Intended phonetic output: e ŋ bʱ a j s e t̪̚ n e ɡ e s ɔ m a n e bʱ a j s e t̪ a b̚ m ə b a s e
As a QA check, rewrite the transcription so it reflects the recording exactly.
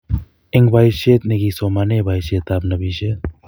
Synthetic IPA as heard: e ŋ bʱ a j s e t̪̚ n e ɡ i s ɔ m a n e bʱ a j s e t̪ a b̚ n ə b i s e